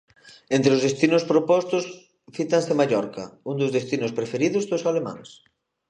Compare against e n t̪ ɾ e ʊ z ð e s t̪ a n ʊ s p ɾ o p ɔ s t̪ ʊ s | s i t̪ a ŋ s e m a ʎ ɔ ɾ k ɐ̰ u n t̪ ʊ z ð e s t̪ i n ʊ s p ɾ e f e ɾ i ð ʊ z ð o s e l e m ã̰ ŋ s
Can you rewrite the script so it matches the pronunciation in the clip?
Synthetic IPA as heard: e n t̪ ɾ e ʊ z ð e s t̪ i n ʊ s p ɾ o p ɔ s t̪ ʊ s | f i t̪ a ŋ s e m a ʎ ɔ ɾ k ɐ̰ u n d̪ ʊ z ð e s t̪ i n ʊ s p ɾ e f e ɾ i ð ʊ z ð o s a l e m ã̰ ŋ s